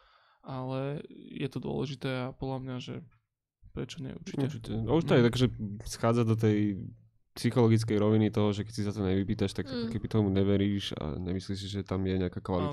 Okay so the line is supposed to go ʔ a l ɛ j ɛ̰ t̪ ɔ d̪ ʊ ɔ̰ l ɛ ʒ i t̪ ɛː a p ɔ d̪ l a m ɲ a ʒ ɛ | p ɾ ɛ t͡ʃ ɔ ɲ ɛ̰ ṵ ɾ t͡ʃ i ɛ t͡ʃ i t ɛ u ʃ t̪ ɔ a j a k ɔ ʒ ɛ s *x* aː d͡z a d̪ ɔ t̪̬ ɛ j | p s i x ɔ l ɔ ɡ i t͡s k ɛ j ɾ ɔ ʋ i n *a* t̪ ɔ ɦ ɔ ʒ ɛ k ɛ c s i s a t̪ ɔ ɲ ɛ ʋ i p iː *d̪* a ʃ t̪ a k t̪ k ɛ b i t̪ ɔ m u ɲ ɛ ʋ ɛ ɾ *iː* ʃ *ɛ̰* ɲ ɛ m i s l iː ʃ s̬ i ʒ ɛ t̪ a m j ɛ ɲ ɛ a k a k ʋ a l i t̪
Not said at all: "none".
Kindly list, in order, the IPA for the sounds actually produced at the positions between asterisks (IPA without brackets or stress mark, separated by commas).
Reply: x, i, t̪, iː, a̰